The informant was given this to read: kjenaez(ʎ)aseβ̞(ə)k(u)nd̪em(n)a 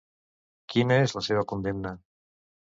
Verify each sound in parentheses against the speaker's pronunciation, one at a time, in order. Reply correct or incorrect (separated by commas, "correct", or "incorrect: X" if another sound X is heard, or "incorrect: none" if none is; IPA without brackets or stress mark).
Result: incorrect: l, incorrect: a, incorrect: o, correct